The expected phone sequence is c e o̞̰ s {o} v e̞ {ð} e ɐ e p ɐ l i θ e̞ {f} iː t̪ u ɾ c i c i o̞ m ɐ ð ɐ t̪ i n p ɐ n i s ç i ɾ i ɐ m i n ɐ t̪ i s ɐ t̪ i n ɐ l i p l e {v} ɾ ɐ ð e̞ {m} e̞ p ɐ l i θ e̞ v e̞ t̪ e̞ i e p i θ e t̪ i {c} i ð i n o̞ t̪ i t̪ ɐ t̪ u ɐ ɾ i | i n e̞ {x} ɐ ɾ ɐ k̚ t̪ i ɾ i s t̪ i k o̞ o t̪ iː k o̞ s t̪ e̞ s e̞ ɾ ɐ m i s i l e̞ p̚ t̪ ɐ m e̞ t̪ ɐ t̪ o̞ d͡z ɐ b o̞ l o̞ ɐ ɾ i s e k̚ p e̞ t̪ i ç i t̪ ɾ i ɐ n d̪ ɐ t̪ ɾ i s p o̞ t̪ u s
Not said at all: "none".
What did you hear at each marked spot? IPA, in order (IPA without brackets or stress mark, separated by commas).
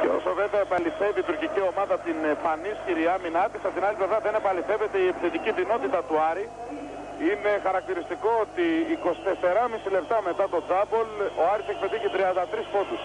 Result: o, v, v, v, n, c, x